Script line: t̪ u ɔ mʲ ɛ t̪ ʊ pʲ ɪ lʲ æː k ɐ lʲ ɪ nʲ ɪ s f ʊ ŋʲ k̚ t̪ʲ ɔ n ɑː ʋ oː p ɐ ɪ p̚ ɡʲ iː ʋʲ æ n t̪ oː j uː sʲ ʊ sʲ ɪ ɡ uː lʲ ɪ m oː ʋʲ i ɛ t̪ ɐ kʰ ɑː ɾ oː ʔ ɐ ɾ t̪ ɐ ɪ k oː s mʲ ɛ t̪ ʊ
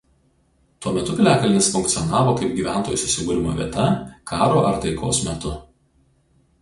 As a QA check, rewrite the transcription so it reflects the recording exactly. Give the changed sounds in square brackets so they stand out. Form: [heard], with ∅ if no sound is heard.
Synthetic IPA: t̪ u ɔ mʲ ɛ t̪ ʊ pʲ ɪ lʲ æː k ɐ lʲ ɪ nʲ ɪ s f ʊ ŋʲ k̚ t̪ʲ ɔ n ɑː ʋ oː [k] ɐ ɪ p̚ ɡʲ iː ʋʲ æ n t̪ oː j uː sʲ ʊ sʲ ɪ ɡ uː [ɾʲ] ɪ m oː ʋʲ i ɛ t̪ ɐ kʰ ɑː ɾ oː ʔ ɐ ɾ t̪ ɐ ɪ k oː s mʲ ɛ t̪ ʊ

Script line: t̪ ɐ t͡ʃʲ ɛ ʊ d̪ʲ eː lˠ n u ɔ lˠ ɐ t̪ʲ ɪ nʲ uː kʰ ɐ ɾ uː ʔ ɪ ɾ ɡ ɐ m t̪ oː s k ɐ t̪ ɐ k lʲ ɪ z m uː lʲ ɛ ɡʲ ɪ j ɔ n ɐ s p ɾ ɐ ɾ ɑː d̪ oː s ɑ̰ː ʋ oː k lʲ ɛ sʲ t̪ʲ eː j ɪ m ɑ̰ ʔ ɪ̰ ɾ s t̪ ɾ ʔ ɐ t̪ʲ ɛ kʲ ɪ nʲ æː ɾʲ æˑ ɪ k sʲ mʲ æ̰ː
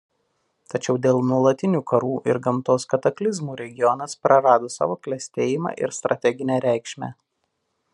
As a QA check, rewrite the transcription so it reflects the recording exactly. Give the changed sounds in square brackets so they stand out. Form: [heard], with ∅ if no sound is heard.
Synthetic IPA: t̪ ɐ t͡ʃʲ ɛ ʊ d̪ʲ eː lˠ n u ɔ lˠ ɐ t̪ʲ ɪ nʲ uː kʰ ɐ ɾ uː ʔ ɪ ɾ ɡ ɐ m t̪ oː s k ɐ t̪ ɐ k lʲ ɪ z m uː [ɾʲ] ɛ ɡʲ ɪ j ɔ n ɐ s p ɾ ɐ ɾ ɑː d̪ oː s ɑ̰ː ʋ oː k lʲ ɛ sʲ t̪ʲ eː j ɪ m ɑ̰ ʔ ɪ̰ ɾ s t̪ ɾ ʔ ɐ t̪ʲ ɛ [ɡʲ] ɪ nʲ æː ɾʲ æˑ ɪ k [ʃʲ] mʲ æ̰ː

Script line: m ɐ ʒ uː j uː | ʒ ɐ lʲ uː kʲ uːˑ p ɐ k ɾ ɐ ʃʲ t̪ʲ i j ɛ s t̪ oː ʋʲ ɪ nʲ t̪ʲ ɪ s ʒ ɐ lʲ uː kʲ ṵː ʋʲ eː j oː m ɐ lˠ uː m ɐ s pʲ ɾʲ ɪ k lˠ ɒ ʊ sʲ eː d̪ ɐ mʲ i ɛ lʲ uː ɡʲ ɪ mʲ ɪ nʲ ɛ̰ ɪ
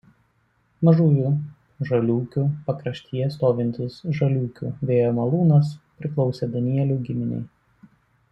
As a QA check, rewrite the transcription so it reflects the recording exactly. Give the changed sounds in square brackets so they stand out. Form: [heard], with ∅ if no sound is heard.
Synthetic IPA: m ɐ ʒ uː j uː | ʒ ɐ lʲ uː kʲ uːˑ p ɐ k ɾ ɐ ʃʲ t̪ʲ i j ɛ s t̪ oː ʋʲ ɪ nʲ t̪ʲ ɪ s ʒ ɐ lʲ uː kʲ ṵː ʋʲ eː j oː m ɐ lˠ uː [n] ɐ s pʲ ɾʲ ɪ k lˠ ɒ ʊ sʲ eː d̪ ɐ [nʲ] i ɛ lʲ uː ɡʲ ɪ mʲ ɪ nʲ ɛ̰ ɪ

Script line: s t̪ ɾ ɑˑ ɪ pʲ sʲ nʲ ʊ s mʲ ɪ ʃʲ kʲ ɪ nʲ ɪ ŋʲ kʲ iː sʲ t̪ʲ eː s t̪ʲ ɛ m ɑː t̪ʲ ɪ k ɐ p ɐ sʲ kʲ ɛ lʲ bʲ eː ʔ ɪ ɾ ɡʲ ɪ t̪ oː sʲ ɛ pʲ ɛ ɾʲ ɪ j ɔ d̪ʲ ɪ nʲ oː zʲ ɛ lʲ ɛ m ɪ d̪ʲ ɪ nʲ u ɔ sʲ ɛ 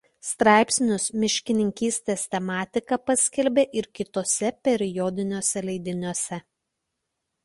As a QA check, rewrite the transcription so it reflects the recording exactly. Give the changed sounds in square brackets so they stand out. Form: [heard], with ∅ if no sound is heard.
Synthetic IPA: s t̪ ɾ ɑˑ ɪ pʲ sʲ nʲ ʊ s mʲ ɪ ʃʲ kʲ ɪ nʲ ɪ ŋʲ kʲ iː sʲ t̪ʲ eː s t̪ʲ ɛ m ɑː t̪ʲ ɪ k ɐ p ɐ sʲ kʲ ɛ lʲ bʲ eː ʔ ɪ ɾ [kʲ] ɪ t̪ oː sʲ ɛ pʲ ɛ ɾʲ ɪ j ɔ d̪ʲ ɪ nʲ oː [sʲ] ɛ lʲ ɛ [∅] ɪ d̪ʲ ɪ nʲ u ɔ sʲ ɛ

